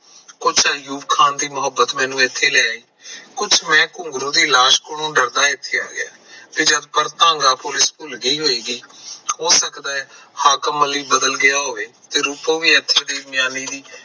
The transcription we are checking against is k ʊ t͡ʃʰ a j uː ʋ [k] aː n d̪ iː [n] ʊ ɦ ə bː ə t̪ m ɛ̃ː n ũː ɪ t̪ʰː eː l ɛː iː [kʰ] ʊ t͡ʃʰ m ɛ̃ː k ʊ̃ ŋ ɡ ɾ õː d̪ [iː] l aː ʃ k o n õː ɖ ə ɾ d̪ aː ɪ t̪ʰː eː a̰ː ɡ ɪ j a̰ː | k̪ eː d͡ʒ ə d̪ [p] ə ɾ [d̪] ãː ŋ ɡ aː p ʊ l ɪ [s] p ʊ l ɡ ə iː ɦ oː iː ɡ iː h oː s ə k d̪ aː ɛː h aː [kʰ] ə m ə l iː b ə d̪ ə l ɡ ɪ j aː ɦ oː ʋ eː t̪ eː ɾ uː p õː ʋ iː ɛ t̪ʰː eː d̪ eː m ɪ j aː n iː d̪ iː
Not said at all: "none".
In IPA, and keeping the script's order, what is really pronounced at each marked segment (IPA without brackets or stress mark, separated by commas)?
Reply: kʰ, m, k, iː, p, t̪, s, k